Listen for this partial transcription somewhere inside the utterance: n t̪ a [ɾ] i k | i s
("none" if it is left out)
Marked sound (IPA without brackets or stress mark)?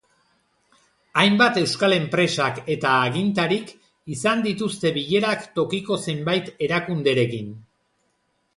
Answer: ɾ